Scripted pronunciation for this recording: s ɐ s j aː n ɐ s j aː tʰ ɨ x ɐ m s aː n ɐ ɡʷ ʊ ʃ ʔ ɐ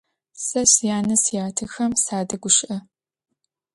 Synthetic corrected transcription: s ɐ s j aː n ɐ s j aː tʰ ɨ x ɐ m s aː d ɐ ɡʷ ʊ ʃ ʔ ɐ

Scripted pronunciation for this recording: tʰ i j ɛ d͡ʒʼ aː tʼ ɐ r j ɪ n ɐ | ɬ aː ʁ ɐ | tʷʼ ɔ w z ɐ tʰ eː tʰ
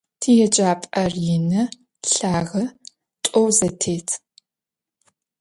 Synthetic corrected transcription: tʰ i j ɛ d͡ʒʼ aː pʼ ɐ r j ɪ n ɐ | ɬ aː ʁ ɐ | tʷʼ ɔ w z ɐ tʰ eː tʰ

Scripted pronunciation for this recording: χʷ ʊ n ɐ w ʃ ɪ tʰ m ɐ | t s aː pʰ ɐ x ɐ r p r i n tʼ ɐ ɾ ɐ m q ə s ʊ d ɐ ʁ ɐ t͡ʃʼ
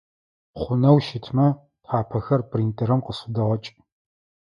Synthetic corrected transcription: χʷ ʊ n ɐ w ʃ ɪ tʰ m ɐ | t ħ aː pʰ ɐ x ɐ r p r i n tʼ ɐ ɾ ɐ m q ə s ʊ d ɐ ʁ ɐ t͡ʃʼ

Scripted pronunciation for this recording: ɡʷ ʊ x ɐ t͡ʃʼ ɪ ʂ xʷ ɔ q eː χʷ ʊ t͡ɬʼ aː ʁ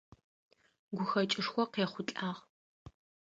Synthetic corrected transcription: ɡʷ ʊ x ɐ t͡ʃʼ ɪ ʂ xʷ ɔ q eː χʷ ʊ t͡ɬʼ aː ʁ

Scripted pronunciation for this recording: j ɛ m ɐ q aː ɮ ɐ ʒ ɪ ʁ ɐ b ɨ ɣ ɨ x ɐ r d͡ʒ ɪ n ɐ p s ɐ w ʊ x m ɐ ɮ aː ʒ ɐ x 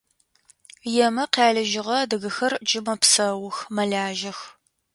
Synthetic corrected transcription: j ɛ m ɐ q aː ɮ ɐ ʒ ɪ ʁ ɐ d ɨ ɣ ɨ x ɐ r d͡ʒ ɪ m ɐ p s ɐ w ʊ x m ɐ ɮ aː ʒ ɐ x

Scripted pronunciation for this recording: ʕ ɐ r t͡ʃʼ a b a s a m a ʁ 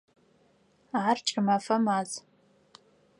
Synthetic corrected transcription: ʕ a r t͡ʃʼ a m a f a m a z

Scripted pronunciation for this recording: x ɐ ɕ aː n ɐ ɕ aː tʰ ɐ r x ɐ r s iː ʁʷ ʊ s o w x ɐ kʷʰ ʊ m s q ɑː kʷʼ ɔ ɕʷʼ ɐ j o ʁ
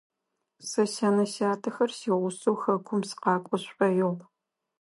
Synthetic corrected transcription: s ɐ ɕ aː n ɐ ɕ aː tʰ ɐ x ɐ r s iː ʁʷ ʊ s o w x ɐ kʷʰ ʊ m s q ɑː kʷʼ ɔ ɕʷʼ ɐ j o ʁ

